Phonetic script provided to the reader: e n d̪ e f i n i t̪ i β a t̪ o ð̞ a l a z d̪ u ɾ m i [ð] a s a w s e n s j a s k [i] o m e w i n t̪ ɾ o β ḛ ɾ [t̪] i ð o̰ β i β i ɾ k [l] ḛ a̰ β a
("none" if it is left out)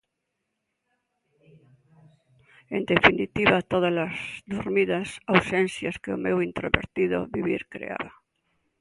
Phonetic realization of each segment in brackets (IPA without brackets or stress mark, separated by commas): ð, e, t̪, ɾ